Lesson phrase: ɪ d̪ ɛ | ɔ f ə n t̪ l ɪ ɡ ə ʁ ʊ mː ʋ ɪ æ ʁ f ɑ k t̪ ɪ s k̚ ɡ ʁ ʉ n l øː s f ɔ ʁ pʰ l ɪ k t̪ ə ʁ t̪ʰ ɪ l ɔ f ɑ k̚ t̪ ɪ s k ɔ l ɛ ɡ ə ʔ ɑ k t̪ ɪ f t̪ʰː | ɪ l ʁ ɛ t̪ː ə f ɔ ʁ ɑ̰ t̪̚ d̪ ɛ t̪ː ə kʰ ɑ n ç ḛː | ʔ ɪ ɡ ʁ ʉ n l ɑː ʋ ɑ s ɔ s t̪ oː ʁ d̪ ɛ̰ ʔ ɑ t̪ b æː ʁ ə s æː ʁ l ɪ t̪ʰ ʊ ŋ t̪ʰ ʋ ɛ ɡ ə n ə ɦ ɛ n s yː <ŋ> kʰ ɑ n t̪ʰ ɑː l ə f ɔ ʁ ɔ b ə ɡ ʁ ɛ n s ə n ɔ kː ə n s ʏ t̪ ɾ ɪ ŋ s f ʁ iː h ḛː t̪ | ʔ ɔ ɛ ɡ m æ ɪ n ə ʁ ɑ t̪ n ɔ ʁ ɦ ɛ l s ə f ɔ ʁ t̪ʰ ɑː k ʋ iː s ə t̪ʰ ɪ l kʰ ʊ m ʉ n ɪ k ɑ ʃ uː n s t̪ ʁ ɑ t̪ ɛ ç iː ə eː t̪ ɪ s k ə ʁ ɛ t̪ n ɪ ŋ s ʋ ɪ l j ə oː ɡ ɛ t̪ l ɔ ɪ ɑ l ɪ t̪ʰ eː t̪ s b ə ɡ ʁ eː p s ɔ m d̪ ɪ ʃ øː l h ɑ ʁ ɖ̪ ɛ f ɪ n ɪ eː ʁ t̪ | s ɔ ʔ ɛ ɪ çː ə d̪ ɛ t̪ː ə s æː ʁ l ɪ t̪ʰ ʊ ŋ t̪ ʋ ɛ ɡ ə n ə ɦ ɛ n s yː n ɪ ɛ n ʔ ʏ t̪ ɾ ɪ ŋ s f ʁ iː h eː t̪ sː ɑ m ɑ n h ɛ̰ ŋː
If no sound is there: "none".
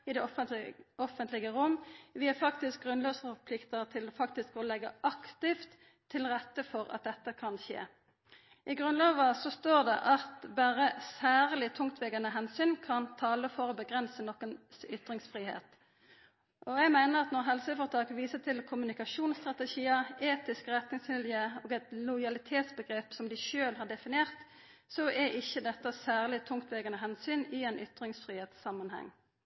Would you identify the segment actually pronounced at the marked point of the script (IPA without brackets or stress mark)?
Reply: n